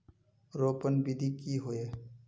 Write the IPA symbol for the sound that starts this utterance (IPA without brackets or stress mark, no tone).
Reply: ɾ